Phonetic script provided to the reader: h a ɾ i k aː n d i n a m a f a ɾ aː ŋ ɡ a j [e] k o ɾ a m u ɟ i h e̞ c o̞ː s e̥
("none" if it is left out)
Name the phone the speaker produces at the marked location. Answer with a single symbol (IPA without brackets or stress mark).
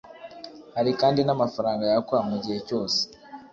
a